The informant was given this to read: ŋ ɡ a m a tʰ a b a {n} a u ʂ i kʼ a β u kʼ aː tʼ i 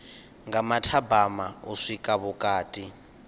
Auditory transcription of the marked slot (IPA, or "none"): m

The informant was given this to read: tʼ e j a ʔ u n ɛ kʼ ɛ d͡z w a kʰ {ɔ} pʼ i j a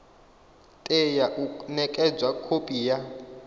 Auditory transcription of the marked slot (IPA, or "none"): o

